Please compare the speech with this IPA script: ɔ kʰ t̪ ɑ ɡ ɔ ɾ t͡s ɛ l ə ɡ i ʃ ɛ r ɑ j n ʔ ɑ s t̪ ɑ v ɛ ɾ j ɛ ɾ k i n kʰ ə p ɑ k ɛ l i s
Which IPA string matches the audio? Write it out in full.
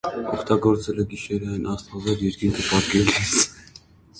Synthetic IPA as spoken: ɔ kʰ t̪ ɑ ɡ ɔ ɾ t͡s ɛ l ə ɡ i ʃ ɛ ɾ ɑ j n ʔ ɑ s t̪ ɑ v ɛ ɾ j ɛ ɾ k i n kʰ ə p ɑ k ɛ l i s